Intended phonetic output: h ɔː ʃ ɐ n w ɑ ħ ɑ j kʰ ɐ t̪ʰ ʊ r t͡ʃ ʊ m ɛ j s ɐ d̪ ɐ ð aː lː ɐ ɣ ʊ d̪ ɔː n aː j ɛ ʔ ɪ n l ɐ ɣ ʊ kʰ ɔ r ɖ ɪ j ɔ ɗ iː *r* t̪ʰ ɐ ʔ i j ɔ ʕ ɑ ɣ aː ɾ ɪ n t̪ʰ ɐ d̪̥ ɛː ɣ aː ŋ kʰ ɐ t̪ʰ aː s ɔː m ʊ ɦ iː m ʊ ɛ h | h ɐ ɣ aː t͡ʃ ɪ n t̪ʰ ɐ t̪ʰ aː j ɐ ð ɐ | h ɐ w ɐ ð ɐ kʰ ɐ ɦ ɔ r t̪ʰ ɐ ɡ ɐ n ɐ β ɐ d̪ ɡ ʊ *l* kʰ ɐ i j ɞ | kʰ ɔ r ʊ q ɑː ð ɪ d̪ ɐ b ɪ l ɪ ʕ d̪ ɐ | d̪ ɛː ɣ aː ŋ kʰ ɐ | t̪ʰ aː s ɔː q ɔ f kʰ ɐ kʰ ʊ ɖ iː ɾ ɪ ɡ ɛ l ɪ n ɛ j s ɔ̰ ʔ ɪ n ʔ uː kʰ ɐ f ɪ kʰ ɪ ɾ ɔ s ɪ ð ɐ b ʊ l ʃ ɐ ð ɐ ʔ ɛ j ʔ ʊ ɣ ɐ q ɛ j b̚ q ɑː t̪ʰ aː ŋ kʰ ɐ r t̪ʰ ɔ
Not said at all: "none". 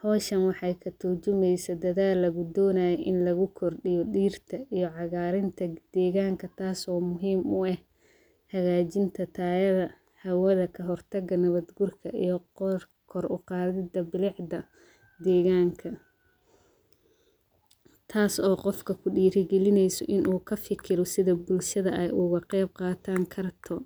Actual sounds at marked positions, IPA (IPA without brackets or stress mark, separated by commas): r, r